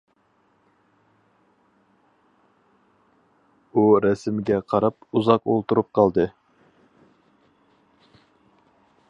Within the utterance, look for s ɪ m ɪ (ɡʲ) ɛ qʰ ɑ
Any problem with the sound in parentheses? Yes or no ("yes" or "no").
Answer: no